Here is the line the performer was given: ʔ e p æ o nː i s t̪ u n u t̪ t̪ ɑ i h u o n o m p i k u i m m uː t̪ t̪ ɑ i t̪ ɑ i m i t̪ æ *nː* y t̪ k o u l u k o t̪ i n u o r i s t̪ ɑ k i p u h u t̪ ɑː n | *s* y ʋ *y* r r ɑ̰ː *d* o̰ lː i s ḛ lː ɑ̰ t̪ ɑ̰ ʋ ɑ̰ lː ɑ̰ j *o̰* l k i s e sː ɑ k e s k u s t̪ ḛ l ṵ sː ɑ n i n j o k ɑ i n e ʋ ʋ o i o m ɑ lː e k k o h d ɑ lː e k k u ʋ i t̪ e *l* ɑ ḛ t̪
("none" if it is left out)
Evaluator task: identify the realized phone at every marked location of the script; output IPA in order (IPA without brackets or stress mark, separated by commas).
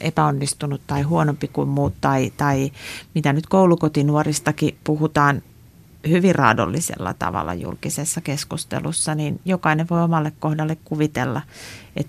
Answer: n, h, i, d, ṵ, lː